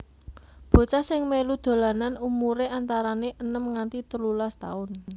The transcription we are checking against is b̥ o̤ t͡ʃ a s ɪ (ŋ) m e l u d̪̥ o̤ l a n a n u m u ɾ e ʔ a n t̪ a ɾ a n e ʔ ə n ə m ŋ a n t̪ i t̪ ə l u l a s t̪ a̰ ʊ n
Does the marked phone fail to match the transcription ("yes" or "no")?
no